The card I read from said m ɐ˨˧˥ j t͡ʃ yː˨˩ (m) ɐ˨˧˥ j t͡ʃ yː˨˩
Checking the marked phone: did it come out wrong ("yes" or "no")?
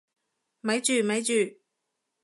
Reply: no